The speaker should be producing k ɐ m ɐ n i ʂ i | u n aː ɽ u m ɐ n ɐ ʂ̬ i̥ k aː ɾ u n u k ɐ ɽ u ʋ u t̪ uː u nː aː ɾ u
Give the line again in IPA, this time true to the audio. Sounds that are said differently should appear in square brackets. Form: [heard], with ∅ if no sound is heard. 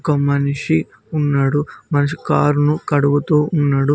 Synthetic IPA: k ɐ m ɐ n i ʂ i | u [nː] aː ɽ u m ɐ n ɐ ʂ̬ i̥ k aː ɾ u n u k ɐ ɽ u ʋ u t̪ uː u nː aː [ɽ] u